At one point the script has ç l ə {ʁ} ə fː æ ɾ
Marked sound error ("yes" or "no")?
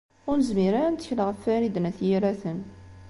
no